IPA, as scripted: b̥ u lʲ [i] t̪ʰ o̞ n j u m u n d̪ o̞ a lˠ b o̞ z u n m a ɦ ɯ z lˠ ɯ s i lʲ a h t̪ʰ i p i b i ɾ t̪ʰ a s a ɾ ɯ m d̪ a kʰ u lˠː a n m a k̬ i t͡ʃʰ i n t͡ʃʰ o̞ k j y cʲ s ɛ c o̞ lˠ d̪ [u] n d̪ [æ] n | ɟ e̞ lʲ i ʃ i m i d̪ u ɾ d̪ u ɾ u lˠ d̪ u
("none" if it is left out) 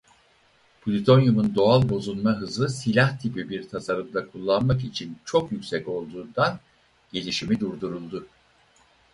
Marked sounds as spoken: i, uː, a

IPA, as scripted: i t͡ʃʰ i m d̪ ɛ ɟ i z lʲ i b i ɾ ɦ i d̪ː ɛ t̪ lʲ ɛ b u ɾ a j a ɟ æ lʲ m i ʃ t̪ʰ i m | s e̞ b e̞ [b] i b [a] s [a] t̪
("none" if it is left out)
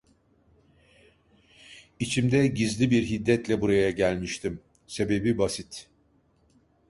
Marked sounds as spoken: b, a, i

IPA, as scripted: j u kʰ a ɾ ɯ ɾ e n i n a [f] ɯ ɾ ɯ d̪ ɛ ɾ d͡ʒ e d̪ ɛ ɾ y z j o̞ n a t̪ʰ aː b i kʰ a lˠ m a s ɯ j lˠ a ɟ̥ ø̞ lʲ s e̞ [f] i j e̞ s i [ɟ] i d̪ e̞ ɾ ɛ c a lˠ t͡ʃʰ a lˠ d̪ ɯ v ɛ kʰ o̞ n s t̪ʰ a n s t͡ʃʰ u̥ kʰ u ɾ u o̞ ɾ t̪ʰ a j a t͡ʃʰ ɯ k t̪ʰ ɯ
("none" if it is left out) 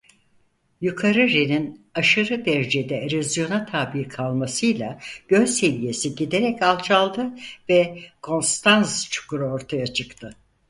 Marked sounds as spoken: ʃ, v, ɟ

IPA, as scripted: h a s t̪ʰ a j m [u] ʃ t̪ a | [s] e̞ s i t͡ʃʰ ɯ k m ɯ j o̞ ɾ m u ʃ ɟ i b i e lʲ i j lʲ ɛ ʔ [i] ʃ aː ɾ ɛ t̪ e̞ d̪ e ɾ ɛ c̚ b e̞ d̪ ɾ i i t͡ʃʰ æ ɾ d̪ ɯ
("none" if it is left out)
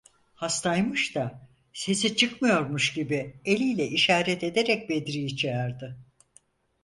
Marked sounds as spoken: ɯ, s, i

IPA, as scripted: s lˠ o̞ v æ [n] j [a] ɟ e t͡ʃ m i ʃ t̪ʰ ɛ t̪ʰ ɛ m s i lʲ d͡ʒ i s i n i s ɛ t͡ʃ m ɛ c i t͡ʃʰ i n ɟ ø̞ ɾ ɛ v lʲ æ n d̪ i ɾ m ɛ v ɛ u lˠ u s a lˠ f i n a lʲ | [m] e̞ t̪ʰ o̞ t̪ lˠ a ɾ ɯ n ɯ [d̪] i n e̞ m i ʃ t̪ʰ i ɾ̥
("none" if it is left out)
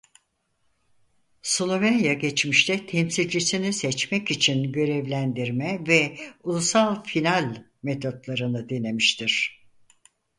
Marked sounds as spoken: n, a, m, d̪

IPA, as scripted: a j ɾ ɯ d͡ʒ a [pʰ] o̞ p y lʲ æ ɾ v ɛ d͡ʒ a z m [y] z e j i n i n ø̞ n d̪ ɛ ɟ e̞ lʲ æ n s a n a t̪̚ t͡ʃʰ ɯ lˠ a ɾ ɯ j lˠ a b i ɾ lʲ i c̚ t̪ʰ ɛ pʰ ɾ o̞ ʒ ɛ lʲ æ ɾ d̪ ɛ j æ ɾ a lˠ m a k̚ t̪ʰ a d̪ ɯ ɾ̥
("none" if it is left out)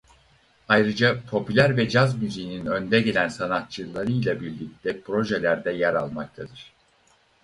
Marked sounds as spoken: pʰ, y

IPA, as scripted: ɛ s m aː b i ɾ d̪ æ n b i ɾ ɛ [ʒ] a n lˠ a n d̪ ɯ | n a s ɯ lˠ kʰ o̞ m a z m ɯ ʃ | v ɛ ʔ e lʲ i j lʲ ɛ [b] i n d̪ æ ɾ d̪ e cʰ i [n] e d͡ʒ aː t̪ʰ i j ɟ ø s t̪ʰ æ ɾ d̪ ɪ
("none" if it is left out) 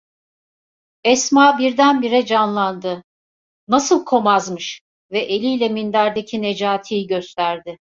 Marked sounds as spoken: d͡ʒ, m, n

